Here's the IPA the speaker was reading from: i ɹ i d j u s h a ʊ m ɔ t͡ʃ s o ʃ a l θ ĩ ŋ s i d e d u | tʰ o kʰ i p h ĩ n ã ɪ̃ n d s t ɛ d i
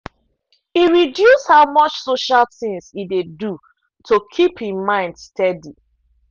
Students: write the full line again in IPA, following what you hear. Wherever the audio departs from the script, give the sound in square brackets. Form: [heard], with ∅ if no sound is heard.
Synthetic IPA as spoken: i ɹ i d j u s h a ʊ m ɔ t͡ʃ s o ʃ a l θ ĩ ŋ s i d e d u | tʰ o kʰ i p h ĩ [m] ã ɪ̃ n d s t ɛ d i